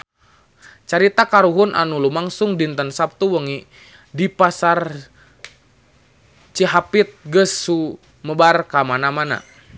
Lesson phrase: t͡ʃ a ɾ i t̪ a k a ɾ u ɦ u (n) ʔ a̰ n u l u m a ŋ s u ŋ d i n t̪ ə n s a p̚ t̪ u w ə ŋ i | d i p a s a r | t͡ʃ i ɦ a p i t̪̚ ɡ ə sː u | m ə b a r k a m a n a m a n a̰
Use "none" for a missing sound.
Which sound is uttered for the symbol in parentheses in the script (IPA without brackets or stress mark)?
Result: n